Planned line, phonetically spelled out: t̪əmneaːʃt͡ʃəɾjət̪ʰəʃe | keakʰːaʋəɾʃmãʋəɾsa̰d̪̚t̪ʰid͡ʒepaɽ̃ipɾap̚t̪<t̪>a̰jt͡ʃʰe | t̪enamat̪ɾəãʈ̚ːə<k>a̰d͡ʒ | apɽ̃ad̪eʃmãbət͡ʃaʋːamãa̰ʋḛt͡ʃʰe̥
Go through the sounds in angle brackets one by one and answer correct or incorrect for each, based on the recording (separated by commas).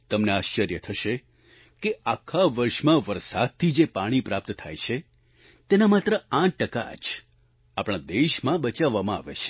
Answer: incorrect, correct